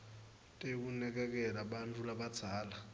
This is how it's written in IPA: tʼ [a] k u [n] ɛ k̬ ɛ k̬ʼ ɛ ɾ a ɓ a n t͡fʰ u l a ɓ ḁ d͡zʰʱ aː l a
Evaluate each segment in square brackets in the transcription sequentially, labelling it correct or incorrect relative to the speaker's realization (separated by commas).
incorrect, correct